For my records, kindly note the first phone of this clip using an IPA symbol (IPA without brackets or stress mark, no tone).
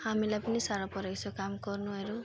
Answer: h